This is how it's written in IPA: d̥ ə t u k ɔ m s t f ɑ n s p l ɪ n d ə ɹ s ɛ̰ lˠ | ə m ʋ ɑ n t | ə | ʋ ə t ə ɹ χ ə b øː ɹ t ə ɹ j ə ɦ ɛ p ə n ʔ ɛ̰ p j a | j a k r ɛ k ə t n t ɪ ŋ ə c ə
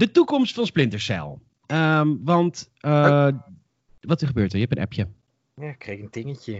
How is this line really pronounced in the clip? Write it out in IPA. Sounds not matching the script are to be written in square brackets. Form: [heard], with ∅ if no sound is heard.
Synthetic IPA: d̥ ə t u k ɔ m s t f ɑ n s p l ɪ n [t] ə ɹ s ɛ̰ lˠ | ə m ʋ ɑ n t | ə | ʋ [ɑ] t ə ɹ χ ə b øː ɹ t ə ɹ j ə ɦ ɛ p ə n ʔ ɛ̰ p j [ə] | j a k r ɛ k ə [∅] n t ɪ ŋ ə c ə